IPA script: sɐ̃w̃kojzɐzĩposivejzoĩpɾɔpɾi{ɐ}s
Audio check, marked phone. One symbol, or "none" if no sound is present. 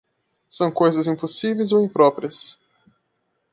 ɐ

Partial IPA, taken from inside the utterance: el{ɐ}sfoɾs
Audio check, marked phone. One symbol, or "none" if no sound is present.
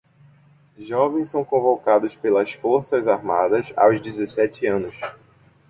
ɐ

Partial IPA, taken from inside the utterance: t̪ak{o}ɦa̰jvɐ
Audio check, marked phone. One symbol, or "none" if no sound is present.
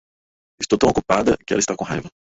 õ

